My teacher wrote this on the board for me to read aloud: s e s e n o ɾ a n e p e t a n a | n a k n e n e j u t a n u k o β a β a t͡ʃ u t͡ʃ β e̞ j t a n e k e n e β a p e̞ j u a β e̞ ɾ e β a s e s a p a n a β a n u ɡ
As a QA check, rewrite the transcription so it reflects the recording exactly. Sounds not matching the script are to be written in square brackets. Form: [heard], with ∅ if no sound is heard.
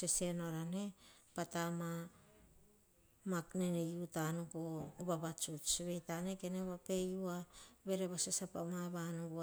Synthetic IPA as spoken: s e s e n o ɾ a n e p [a] t a [m] a | [m] a k n e n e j u t a n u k o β a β a t͡ʃ u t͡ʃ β e̞ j t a n e k e n e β a p e̞ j u a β e̞ ɾ e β a s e s a p a [m] a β a n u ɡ